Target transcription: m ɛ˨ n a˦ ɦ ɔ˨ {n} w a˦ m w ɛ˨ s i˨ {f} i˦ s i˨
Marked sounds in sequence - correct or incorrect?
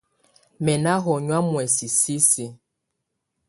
incorrect, incorrect

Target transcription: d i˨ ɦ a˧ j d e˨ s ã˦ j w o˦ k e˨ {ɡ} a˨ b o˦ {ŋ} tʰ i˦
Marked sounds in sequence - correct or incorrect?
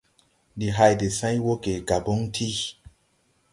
correct, correct

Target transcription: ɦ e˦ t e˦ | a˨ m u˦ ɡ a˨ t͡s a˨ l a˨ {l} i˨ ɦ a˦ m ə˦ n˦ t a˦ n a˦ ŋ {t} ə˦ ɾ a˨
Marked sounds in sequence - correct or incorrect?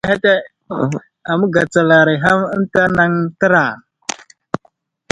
incorrect, correct

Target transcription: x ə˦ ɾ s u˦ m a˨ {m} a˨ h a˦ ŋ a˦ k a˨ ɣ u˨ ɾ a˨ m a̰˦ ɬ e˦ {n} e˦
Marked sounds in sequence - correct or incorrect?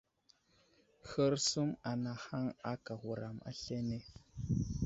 incorrect, correct

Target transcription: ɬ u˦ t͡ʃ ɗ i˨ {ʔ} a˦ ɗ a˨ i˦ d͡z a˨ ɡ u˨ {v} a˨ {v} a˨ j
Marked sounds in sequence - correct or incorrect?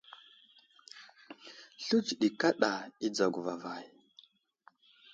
incorrect, correct, correct

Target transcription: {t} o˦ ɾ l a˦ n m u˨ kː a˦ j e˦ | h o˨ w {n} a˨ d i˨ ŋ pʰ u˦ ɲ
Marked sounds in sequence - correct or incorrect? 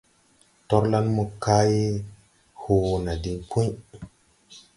correct, correct

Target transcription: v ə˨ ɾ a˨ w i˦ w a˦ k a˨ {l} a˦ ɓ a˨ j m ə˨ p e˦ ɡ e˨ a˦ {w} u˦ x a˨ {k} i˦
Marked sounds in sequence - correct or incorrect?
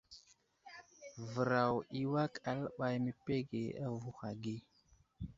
correct, incorrect, incorrect

